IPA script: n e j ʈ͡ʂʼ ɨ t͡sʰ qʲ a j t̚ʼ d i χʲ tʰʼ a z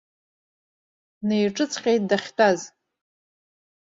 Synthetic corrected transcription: n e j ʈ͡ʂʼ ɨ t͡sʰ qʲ e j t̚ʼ d a χʲ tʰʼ a z

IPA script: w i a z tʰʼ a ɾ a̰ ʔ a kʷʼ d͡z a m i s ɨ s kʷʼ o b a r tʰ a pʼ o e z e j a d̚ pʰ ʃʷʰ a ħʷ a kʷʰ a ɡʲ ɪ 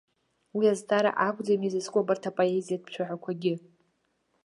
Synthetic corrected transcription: w i a z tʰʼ a ɾ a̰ ʔ a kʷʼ d͡z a m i z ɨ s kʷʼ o b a r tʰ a pʼ o e z i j a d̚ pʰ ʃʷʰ a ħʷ a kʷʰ a ɡʲ ɪ

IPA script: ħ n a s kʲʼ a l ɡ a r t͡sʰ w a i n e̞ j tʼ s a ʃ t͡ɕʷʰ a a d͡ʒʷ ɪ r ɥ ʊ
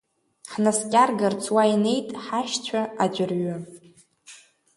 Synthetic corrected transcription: ħ n a s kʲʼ a r ɡ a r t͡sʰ w a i n e̞ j tʼ ħ a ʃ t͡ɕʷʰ a a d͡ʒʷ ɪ r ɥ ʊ

